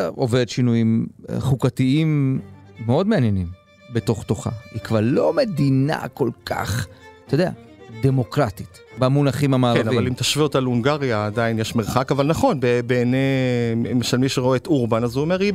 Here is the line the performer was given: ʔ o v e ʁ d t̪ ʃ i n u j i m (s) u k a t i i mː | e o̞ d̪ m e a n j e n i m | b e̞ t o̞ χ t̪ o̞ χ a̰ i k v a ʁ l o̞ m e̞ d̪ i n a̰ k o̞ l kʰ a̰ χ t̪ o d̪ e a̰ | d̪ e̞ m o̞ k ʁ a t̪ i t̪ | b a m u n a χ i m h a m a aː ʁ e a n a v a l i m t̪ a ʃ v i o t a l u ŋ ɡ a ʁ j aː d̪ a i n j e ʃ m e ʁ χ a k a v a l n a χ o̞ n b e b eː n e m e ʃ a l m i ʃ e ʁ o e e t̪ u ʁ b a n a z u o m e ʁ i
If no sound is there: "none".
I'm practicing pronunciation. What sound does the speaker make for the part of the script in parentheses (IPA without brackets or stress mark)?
χ